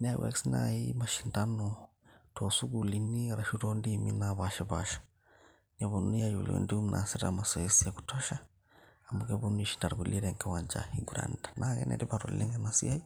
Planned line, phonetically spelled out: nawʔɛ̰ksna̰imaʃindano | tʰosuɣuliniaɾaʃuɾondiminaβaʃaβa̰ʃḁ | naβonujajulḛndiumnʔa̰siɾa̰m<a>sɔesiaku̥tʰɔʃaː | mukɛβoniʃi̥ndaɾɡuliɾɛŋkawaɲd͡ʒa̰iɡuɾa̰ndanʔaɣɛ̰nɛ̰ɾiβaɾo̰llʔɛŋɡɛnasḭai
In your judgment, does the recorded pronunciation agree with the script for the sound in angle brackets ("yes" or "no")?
yes